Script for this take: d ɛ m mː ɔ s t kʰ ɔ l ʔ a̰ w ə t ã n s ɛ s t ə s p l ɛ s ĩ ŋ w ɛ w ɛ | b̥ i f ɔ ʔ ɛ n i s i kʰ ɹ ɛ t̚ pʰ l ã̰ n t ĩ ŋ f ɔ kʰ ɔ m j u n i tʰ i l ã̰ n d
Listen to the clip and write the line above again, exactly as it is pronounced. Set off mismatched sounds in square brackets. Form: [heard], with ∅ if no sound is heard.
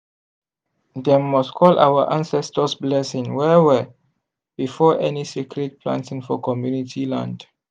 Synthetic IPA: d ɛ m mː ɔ s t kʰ ɔ l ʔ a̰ w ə [ʔ] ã n s ɛ s t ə s [b] l ɛ s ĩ ŋ w ɛ w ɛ | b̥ i f ɔ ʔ ɛ n i s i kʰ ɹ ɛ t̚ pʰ l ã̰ n t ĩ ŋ f ɔ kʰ ɔ m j u n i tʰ i l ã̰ n d